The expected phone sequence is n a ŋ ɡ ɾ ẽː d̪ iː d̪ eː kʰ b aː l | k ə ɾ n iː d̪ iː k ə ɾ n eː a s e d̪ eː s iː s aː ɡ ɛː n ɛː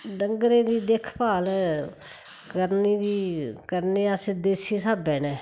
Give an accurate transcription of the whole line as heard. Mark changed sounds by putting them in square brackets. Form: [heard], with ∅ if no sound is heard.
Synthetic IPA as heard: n [ə] ŋ ɡ ɾ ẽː d̪ iː d̪ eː kʰ [p] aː l | k ə ɾ n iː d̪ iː k ə ɾ n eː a s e d̪ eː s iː s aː [b] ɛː n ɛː